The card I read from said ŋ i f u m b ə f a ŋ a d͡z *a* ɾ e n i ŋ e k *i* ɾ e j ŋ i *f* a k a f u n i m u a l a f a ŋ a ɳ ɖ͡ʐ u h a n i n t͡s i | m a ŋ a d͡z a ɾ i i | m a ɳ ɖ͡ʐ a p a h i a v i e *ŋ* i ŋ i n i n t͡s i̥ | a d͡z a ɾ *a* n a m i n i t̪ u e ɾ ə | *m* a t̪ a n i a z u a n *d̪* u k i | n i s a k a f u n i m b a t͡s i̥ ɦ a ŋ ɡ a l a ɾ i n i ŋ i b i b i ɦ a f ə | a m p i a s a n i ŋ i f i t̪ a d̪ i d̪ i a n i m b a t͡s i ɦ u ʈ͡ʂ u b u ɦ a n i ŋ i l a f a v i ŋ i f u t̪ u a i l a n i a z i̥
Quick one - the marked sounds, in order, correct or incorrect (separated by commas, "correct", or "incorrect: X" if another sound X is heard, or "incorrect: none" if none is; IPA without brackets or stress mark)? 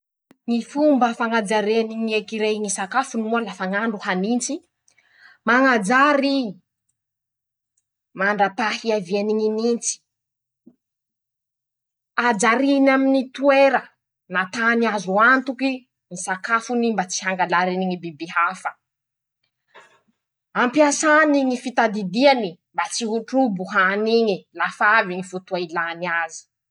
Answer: correct, correct, incorrect: s, incorrect: n, incorrect: i, incorrect: n, incorrect: t̪